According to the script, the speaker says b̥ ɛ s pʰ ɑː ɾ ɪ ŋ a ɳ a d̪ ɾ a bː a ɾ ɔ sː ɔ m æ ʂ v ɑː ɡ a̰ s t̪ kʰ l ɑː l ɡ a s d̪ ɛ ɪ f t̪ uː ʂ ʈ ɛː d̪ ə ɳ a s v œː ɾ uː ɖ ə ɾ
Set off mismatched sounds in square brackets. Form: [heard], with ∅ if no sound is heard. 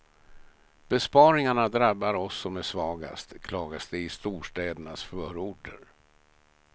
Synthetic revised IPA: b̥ ɛ s [p] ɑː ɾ ɪ ŋ a ɳ a d̪ ɾ a bː a ɾ ɔ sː ɔ m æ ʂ v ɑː ɡ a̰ s t̪ kʰ l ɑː [∅] ɡ a s d̪ ɛ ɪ [s] t̪ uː ʂ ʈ ɛː d̪ ə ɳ a s [f] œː ɾ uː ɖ ə ɾ